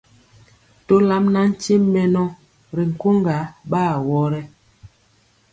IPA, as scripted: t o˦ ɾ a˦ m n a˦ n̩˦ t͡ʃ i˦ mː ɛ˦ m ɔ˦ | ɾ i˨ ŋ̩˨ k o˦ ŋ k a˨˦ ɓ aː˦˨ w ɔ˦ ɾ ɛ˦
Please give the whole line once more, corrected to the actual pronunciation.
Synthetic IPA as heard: t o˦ l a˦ m n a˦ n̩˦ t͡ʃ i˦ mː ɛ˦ n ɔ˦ | ɾ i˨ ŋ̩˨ k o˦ ŋ ɡ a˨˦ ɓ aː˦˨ w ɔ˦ ɾ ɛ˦